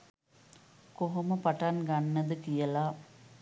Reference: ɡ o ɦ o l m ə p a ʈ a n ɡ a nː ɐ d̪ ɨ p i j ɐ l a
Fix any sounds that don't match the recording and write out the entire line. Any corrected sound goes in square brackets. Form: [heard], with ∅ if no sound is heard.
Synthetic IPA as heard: [k] o ɦ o [∅] m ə p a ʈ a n ɡ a nː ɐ d̪ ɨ [k] i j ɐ l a